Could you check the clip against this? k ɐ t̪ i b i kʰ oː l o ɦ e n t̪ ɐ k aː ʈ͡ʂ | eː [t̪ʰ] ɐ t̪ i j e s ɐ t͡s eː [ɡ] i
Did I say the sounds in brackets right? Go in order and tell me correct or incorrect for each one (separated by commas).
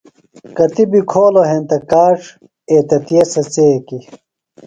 incorrect, incorrect